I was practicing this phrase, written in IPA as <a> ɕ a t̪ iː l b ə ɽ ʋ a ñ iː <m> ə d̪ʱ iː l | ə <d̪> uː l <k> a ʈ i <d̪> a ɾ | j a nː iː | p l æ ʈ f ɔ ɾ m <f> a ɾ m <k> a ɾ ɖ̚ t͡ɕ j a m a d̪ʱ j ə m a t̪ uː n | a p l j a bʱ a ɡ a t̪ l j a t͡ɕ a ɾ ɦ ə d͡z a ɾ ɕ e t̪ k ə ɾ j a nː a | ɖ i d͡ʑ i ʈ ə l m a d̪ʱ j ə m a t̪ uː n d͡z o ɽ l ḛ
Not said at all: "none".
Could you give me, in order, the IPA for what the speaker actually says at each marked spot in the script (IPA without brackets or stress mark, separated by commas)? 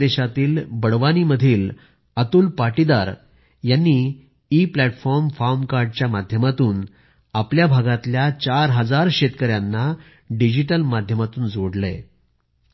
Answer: e, m, t̪, p, d̪, f, k